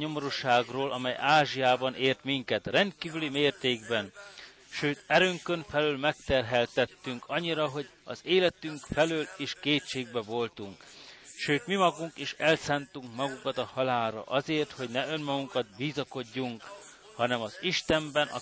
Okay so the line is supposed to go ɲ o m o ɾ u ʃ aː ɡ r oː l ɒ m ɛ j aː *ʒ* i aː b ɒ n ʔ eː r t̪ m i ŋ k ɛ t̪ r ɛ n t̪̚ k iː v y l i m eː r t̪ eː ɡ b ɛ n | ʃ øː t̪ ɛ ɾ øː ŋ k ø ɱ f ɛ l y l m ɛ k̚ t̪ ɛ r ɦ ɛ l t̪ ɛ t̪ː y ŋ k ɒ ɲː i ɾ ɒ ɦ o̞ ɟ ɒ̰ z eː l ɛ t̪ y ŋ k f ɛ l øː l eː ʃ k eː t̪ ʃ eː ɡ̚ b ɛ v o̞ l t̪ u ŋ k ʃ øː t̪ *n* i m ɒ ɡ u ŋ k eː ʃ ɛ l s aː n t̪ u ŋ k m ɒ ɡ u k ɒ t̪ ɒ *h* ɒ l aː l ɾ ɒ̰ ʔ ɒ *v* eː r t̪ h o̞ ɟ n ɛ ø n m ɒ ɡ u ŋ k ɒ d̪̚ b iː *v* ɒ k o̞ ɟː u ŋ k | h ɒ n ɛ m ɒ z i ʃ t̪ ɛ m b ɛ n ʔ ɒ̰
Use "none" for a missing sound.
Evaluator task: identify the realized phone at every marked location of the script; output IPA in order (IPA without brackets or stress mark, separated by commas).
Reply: ʒ, m, h, z, z